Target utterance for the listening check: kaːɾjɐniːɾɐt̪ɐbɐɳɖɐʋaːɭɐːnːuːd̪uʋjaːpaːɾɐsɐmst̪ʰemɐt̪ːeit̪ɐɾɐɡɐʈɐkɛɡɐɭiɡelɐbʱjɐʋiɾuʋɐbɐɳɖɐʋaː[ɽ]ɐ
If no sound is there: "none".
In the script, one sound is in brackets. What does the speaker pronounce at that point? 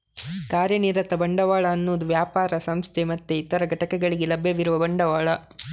ɭ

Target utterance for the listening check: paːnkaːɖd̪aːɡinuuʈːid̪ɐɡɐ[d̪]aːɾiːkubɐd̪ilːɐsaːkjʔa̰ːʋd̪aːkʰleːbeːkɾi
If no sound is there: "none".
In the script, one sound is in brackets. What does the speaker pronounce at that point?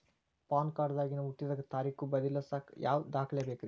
t̪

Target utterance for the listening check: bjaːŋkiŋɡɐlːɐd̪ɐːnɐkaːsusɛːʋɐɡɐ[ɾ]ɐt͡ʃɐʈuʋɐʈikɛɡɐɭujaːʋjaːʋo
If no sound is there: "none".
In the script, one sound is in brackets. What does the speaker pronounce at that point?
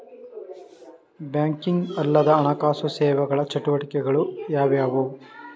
ɭ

